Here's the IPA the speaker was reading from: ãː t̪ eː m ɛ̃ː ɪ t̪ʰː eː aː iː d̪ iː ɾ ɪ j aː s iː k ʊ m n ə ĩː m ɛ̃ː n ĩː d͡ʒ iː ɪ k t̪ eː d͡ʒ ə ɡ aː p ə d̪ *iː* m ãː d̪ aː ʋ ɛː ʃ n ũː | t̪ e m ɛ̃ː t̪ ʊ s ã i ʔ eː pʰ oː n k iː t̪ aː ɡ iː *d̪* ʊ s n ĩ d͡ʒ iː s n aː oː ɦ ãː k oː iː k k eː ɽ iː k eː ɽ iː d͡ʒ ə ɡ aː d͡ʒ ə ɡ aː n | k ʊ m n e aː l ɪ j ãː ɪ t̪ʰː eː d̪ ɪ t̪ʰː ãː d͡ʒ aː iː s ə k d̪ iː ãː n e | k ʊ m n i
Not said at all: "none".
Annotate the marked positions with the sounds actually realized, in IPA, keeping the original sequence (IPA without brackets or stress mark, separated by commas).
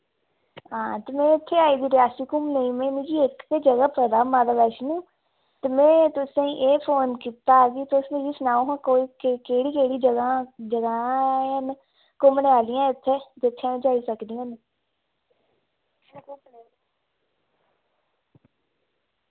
aː, t̪